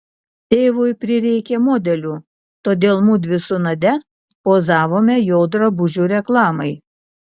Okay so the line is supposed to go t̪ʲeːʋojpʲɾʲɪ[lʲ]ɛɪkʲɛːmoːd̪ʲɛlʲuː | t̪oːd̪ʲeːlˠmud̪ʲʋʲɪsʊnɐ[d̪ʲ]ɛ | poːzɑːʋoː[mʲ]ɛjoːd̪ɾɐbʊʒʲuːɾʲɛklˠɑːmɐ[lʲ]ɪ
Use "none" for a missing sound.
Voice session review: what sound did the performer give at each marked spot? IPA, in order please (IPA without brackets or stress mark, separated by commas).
ɾʲ, d̪ʲ, mʲ, none